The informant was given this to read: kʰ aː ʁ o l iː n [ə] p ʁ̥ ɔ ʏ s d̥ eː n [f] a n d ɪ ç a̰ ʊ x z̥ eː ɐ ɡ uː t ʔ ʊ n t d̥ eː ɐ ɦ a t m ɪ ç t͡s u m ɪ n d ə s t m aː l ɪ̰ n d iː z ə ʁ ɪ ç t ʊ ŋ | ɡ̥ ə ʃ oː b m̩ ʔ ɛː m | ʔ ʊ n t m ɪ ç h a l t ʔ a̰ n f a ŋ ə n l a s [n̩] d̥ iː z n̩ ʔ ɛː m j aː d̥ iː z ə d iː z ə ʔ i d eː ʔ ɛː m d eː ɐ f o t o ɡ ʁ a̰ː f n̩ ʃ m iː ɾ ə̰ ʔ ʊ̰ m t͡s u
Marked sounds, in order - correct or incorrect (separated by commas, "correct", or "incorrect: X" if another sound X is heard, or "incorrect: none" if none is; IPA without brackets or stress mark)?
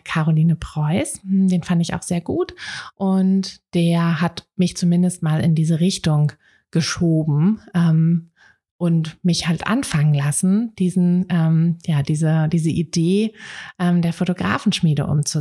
correct, correct, correct